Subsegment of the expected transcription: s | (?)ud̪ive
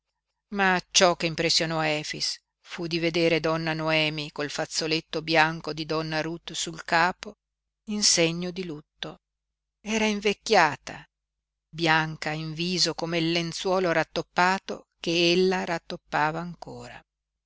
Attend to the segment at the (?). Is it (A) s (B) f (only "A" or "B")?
B